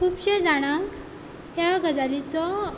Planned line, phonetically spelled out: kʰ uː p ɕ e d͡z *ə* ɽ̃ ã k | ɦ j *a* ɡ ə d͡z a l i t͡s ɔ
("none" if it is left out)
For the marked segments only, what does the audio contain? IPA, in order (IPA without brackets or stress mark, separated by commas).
a, a